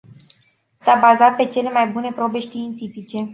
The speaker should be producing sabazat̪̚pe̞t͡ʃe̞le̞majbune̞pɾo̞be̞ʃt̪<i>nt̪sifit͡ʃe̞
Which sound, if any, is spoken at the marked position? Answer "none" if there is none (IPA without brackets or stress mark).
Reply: iː